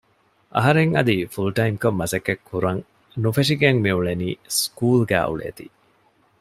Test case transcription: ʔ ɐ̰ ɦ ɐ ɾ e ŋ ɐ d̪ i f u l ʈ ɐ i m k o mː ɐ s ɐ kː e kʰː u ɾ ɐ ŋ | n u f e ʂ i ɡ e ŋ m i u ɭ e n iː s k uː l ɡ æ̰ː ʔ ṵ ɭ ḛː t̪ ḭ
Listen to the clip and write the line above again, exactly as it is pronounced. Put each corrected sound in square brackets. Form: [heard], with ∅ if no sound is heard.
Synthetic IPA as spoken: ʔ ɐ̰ ɦ ɐ ɾ e ŋ ɐ d̪ i f u l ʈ ɐ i m k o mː ɐ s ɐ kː e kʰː u ɾ ɐ ŋ | n u f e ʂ i ɡ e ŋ m i u ɭ e n iː s k uː l ɡ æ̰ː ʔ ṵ ɭ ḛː t̪ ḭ